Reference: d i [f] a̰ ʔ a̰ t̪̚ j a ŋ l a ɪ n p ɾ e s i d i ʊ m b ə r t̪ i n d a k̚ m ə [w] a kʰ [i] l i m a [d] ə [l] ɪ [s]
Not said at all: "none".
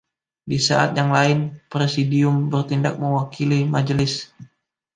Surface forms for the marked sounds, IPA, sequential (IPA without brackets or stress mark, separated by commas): s, w, i, d͡ʒ, l, s